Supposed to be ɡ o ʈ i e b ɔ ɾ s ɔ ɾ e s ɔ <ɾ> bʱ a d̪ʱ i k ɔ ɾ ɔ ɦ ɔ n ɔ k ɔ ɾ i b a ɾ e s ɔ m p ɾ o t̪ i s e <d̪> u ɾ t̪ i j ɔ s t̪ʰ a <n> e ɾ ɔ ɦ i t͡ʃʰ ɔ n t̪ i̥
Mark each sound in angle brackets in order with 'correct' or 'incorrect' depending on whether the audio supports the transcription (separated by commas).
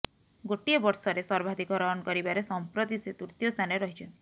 correct, incorrect, correct